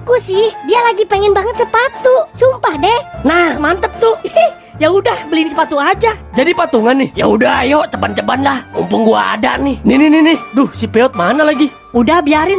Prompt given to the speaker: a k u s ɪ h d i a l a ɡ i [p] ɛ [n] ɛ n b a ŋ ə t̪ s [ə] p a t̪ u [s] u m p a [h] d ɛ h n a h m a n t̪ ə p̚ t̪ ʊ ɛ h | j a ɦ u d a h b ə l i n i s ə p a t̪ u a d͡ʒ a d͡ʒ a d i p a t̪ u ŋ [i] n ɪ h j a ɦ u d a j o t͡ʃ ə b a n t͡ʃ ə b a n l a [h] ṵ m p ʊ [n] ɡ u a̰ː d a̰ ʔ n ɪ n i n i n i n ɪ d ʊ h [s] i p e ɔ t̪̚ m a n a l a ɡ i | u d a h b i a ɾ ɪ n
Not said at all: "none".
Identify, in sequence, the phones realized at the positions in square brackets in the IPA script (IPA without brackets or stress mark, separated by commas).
p, ŋ, ə, s, h, a, h, ŋ, s